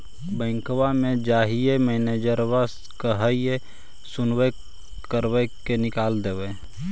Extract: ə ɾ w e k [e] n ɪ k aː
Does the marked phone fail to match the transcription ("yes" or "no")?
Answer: no